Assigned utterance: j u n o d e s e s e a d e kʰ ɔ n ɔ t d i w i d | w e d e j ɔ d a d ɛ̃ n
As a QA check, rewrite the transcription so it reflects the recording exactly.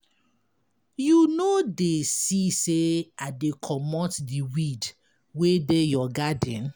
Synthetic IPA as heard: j u n o d e s i s e a d e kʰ ɔ m ɔ t d i w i d | w e d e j ɔ ɡ a d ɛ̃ n